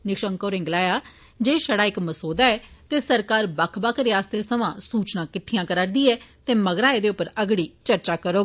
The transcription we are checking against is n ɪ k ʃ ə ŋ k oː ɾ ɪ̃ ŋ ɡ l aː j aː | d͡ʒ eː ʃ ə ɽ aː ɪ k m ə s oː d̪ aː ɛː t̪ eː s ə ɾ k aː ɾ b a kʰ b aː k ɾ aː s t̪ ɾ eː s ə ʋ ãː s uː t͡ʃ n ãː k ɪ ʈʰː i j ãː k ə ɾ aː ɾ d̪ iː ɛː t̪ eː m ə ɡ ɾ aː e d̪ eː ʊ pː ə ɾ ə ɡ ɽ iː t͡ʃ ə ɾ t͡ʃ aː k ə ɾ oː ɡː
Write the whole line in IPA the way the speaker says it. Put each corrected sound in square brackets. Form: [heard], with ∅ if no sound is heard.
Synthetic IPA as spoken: n ɪ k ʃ ə ŋ k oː ɾ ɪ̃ ŋ ɡ l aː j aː | d͡ʒ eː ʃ ə ɽ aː ɪ k m ə s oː d̪ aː ɛː t̪ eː s ə ɾ k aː ɾ b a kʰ b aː k ɾ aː s t̪ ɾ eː s ə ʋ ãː s uː t͡ʃ n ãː k ɪ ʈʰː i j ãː k ə ɾ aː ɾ d̪ iː ɛː t̪ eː m ə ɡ ɾ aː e d̪ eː ʊ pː ə ɾ ə ɡ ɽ iː t͡ʃ ə ɾ t͡ʃ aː k ə ɾ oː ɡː